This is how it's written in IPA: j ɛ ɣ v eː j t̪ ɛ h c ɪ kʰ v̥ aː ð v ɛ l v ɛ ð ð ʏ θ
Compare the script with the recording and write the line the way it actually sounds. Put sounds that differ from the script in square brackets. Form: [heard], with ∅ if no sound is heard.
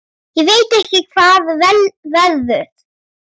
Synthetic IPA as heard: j ɛ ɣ v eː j t̪ ɛ h c ɪ kʰ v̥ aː ð v ɛ l v ɛ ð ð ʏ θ